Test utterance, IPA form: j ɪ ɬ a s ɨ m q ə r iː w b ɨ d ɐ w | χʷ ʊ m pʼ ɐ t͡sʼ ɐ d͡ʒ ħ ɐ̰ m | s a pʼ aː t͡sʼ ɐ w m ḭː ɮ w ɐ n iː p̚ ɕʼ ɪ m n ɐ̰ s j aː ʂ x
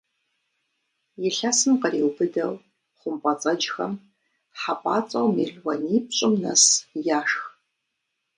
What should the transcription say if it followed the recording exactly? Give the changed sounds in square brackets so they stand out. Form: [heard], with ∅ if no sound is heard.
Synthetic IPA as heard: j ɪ ɬ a s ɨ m q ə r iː w b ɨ d ɐ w | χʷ ʊ m pʼ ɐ t͡sʼ ɐ d͡ʒ [x] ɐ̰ m | [ħ] a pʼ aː t͡sʼ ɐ w m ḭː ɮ w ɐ n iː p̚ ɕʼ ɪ m n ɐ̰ s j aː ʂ x